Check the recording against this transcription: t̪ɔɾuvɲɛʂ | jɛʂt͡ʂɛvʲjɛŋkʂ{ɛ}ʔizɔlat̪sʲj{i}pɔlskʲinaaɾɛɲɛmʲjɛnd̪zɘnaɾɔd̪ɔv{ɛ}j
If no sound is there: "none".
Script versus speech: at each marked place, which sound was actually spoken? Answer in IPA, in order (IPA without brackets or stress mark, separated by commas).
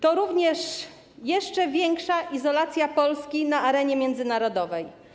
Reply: a, a, ɛ